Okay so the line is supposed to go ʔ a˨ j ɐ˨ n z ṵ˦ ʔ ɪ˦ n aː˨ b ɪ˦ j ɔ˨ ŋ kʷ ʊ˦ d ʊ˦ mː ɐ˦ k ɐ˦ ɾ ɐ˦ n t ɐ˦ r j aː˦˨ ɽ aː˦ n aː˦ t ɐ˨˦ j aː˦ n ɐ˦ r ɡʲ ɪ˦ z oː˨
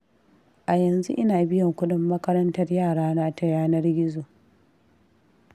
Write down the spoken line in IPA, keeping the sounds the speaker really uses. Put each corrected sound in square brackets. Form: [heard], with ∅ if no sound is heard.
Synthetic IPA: ʔ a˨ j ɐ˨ n z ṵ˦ ʔ ɪ˦ n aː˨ b ɪ˦ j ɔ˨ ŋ kʷ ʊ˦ d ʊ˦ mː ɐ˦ k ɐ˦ ɾ ɐ˦ n t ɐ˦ r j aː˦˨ ɽ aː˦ n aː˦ t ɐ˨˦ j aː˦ n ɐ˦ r ɡʲ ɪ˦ z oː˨

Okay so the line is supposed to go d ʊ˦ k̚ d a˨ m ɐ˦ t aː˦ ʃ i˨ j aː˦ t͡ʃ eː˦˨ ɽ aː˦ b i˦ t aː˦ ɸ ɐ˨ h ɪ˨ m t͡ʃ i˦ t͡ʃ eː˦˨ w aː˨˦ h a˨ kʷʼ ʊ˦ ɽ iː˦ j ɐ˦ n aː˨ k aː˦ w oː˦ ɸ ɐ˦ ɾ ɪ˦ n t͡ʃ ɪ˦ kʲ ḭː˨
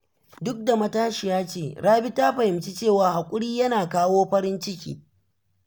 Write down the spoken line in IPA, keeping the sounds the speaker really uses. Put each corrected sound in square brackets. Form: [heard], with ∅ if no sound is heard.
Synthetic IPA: d ʊ˦ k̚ d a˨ m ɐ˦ t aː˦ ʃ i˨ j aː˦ t͡ʃ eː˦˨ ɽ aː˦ b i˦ t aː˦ ɸ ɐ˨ h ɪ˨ m t͡ʃ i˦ t͡ʃ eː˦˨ w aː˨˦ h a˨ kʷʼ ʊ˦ ɽ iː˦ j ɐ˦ n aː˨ k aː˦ w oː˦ ɸ ɐ˦ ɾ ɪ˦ n t͡ʃ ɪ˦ kʲ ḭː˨

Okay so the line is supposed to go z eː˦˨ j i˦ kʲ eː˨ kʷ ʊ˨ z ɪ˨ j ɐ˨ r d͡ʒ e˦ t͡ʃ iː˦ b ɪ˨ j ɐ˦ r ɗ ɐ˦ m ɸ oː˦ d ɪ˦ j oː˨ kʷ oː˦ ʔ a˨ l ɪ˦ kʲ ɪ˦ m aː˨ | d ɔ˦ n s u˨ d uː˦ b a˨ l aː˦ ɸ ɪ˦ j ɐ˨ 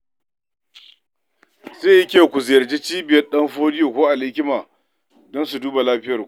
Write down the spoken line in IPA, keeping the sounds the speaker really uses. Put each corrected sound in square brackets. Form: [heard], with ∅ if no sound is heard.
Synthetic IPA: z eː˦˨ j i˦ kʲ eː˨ kʷ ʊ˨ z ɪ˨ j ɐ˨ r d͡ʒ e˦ t͡ʃ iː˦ b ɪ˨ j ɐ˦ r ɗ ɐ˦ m ɸ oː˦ d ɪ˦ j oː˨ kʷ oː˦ ʔ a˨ l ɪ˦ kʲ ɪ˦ m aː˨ | d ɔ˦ n s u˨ d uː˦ b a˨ l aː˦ ɸ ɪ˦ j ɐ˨

